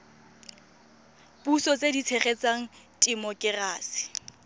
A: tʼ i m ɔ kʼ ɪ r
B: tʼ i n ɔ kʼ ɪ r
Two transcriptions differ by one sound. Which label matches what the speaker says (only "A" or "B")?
A